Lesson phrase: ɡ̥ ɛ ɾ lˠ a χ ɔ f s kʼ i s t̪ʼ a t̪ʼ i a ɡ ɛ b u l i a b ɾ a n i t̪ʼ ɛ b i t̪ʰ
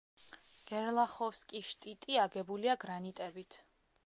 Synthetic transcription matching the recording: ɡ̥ ɛ ɾ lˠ a χ ɔ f s kʼ i ʃ t̪ʼ i t̪ʼ i a ɡ ɛ b u l i a ɡ ɾ a n i t̪ʼ ɛ b i t̪ʰ